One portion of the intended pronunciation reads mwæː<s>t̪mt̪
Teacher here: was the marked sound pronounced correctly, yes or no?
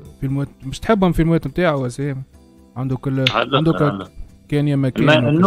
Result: no